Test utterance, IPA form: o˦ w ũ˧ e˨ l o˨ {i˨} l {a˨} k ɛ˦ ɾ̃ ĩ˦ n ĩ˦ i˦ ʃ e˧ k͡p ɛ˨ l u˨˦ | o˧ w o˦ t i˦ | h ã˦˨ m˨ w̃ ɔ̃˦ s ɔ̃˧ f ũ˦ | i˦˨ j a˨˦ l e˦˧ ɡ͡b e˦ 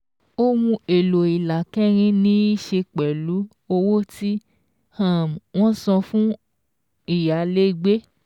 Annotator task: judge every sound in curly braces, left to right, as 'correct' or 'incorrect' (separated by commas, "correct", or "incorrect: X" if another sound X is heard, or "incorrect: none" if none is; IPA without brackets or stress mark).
correct, correct